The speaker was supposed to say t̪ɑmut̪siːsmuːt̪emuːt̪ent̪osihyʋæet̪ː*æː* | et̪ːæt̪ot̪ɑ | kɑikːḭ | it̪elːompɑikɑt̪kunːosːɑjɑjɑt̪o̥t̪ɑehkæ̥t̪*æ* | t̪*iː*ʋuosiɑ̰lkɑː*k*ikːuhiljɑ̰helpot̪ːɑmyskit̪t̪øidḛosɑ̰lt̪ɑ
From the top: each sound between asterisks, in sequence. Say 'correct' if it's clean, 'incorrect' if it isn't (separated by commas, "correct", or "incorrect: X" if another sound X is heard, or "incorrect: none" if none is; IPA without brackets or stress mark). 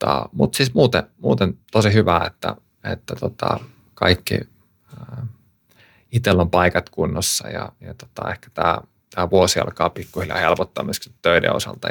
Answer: incorrect: æ, incorrect: æː, incorrect: æː, incorrect: p